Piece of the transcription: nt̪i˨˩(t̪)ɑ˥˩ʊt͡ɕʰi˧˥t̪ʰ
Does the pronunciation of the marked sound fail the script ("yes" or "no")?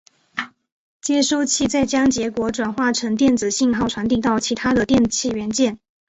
no